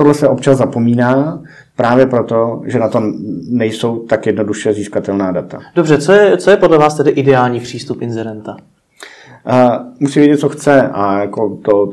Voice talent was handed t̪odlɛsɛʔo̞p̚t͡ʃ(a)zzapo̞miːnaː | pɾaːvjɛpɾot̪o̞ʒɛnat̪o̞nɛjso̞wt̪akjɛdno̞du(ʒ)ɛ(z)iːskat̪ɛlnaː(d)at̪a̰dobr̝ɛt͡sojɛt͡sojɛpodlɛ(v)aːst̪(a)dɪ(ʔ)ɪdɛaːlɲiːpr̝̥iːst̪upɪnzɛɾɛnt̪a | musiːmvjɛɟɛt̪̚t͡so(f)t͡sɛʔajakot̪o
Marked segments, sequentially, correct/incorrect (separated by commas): correct, incorrect, correct, correct, correct, incorrect, correct, incorrect